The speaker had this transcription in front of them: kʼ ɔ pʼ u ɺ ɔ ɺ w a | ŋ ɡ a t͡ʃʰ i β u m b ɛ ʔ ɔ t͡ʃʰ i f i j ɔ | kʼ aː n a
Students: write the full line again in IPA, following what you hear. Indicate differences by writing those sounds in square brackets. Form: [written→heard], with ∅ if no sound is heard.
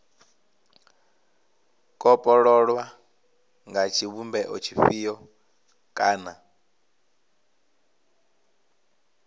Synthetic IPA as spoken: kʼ ɔ pʼ [u→ɔ] ɺ ɔ ɺ w a | ŋ ɡ a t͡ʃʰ i β u m b ɛ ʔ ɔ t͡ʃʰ i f i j ɔ | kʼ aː n a